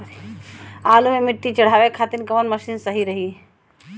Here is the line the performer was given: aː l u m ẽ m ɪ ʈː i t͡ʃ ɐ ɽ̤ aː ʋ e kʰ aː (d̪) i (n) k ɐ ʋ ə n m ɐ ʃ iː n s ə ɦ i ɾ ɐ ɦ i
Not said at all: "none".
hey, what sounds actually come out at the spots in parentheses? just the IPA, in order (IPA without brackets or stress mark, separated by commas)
t̪, n